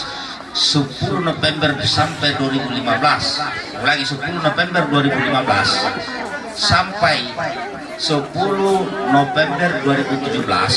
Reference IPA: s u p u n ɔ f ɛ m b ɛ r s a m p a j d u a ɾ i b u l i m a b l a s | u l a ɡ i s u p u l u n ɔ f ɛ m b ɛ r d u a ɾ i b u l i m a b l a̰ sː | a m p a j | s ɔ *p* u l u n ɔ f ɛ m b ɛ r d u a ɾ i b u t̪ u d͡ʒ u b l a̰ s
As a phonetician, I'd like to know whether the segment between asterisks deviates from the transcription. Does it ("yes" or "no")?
no